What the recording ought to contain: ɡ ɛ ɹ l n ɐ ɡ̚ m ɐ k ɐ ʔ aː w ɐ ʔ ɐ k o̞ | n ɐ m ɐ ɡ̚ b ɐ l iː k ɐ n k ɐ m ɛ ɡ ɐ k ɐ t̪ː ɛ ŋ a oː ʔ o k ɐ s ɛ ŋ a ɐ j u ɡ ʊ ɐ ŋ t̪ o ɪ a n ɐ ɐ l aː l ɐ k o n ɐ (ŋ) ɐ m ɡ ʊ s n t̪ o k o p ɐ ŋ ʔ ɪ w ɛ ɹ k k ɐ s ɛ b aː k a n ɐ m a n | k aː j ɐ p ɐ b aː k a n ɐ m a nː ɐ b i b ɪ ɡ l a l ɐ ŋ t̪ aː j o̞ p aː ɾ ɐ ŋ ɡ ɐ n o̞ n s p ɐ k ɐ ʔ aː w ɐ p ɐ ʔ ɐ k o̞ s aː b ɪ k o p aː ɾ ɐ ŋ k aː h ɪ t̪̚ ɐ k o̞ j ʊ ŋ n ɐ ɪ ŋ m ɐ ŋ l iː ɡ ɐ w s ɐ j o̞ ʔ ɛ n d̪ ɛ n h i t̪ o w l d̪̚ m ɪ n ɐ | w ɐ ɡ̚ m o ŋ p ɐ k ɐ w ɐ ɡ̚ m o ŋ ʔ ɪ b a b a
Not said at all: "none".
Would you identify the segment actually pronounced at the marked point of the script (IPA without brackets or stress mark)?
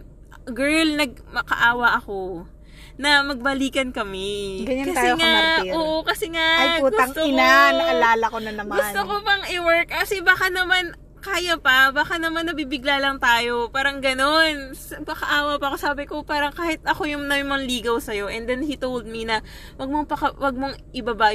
n